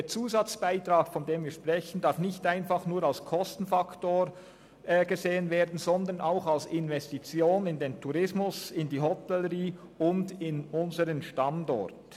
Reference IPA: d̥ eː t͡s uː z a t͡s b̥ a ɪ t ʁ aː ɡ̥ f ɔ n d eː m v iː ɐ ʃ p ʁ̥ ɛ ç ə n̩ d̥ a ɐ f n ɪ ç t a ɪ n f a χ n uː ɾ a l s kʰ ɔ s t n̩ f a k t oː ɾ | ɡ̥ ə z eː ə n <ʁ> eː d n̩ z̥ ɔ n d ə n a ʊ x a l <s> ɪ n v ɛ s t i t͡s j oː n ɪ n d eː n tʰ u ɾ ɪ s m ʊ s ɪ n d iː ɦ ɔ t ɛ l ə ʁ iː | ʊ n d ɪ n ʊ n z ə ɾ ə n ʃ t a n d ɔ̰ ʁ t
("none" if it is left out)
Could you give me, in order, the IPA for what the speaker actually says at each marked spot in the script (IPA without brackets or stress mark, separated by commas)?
v, s